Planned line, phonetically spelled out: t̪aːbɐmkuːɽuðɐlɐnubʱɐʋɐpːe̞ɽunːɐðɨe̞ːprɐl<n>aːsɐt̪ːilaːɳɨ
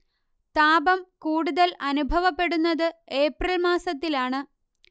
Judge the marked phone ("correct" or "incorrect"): incorrect